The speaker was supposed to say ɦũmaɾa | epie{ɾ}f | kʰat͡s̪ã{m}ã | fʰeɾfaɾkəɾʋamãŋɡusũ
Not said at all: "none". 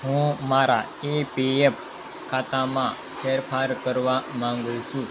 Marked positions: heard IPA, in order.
none, m

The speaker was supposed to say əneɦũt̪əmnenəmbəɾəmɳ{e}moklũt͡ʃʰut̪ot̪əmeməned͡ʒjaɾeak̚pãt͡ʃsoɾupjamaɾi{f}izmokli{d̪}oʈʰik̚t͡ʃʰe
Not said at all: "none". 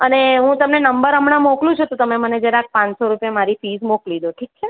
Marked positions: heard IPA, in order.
a, f, d̪

